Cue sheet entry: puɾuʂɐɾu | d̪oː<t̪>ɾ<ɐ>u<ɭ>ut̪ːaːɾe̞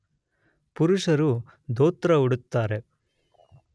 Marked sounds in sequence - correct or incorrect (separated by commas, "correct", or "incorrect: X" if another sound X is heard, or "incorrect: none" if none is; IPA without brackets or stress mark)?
correct, correct, incorrect: ɽ